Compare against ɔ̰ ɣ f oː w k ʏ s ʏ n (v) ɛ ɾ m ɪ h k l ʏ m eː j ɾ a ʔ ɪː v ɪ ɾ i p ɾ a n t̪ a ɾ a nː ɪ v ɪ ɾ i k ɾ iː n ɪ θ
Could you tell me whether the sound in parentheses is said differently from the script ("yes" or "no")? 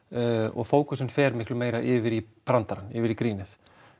yes